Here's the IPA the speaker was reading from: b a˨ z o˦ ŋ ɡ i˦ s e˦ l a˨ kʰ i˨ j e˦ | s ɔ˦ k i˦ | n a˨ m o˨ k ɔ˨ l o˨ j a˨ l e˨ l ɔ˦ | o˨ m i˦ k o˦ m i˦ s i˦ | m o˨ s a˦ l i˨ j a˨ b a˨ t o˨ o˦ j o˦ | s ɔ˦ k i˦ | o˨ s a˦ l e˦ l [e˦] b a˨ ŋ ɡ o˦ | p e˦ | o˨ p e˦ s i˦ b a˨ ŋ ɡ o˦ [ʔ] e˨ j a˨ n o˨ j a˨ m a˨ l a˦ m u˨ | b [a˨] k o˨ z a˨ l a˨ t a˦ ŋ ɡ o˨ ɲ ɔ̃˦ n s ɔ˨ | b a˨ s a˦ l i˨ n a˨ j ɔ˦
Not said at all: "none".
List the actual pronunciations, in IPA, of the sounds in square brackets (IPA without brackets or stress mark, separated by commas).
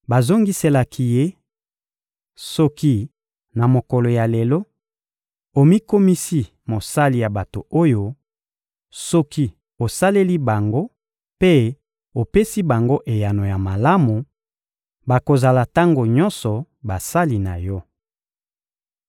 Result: i˦, ʔ, a˨